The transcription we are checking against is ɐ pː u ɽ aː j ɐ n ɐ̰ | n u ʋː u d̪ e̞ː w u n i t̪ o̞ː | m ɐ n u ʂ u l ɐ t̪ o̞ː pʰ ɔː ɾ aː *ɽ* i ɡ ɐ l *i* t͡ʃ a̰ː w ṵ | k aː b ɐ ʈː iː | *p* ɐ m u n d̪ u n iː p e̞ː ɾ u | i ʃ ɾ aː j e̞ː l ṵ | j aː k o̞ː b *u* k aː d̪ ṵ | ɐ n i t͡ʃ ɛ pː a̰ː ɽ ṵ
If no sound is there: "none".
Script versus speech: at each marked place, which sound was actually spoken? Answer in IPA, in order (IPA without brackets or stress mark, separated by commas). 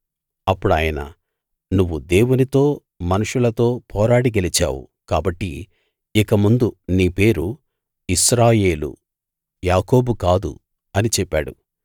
ɽ, i, k, u